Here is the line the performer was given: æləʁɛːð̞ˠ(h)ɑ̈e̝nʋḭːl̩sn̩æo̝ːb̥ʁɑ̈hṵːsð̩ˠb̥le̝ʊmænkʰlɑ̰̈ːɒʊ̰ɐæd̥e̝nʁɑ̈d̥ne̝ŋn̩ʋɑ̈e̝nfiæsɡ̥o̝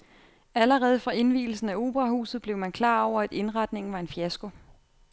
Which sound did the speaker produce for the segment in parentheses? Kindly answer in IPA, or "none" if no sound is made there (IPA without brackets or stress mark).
f